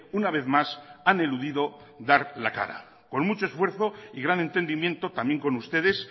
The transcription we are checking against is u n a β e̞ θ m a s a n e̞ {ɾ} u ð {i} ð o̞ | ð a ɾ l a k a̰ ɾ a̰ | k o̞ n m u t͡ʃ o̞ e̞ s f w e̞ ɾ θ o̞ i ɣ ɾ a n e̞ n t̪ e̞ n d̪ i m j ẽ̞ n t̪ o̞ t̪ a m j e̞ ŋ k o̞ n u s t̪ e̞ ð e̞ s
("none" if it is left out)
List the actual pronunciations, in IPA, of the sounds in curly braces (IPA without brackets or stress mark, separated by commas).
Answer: l, i